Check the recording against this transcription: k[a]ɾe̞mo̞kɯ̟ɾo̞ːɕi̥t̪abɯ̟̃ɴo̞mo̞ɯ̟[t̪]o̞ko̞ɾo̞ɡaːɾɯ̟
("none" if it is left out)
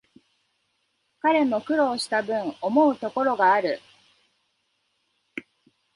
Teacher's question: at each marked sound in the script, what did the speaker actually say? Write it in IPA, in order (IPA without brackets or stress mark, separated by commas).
a, t̪